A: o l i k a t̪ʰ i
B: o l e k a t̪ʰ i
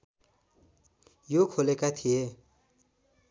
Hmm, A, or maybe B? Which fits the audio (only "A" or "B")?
B